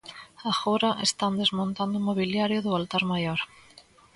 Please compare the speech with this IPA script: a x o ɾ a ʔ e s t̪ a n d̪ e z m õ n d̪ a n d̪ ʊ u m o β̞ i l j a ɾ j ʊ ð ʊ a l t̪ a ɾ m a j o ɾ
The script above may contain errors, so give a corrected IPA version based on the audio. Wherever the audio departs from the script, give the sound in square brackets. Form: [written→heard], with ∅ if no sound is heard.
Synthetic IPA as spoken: a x o ɾ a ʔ e s t̪ a n d̪ e z m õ n [d̪→t̪] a n d̪ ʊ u m o β̞ i l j a ɾ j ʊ ð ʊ a l t̪ a ɾ m a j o ɾ